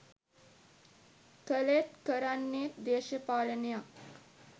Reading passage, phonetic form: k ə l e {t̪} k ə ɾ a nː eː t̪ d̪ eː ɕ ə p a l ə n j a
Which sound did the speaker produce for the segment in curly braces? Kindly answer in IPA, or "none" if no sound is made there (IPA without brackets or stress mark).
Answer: t̪